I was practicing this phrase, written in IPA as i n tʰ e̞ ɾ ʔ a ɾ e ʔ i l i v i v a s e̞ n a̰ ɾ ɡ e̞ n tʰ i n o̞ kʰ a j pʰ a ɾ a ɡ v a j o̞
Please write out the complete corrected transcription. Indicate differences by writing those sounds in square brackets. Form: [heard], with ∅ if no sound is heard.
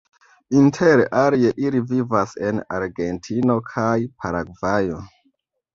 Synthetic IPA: i n tʰ e̞ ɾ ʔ a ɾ e ʔ i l i v i v a s e̞ n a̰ ɾ ɡ e̞ n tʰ i n o̞ kʰ a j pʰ a ɾ a ɡ v a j o̞